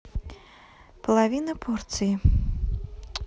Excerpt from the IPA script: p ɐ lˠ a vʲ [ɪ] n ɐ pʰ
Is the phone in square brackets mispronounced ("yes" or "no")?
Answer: yes